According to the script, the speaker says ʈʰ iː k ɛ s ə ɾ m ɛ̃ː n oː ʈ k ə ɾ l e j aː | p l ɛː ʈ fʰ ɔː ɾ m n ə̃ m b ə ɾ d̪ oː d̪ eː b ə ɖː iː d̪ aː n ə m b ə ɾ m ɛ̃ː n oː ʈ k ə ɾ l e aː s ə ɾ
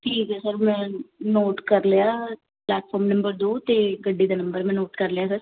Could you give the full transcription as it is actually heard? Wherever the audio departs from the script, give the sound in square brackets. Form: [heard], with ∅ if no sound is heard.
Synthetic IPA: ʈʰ iː k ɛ s ə ɾ m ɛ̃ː n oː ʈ k ə ɾ l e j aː | p l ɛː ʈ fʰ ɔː ɾ m n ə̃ m b ə ɾ d̪ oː [t̪] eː [ɡ] ə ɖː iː d̪ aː n ə m b ə ɾ m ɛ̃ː n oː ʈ k ə ɾ l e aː s ə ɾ